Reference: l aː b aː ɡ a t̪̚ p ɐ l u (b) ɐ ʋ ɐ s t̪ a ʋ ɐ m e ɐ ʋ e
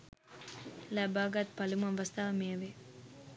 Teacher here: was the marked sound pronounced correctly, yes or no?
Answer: no